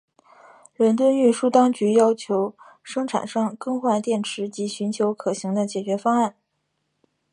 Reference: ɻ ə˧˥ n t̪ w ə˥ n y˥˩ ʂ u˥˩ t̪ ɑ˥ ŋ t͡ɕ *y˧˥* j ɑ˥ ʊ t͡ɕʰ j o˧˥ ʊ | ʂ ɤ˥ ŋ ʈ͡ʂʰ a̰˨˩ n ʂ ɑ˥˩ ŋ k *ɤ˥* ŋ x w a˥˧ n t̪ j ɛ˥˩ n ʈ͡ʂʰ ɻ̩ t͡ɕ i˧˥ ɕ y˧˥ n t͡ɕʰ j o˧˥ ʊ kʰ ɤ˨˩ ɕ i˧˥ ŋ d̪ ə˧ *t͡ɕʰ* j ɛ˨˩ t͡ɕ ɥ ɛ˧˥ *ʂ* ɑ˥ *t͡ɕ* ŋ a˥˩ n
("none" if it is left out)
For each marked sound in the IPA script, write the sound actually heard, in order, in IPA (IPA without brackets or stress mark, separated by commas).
y˧˥, ɤ˥, t͡ɕ, f, none